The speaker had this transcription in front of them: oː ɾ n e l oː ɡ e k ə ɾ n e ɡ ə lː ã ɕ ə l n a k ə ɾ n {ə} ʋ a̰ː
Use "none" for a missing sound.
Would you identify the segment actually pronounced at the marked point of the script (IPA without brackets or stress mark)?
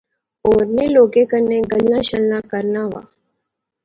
a